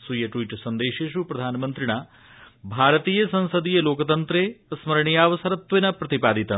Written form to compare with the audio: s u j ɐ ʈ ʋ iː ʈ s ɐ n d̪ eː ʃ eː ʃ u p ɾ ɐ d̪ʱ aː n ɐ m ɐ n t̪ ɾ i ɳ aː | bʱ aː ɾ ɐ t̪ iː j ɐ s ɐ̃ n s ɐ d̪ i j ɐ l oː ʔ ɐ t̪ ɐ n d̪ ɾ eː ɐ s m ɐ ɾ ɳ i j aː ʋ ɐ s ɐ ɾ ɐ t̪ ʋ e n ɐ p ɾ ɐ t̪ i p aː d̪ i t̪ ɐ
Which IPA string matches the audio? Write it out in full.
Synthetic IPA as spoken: s u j ɐ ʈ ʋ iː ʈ s ɐ n d̪ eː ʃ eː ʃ u p ɾ ɐ d̪ʱ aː n ɐ m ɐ n t̪ ɾ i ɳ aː | bʱ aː ɾ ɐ t̪ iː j ɐ s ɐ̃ n s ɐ d̪ i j ɐ l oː k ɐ t̪ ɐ n t̪ ɾ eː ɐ s m ɐ ɾ ɳ i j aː ʋ ɐ s ɐ ɾ ɐ t̪ ʋ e n ɐ p ɾ ɐ t̪ i p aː d̪ i t̪ ɐ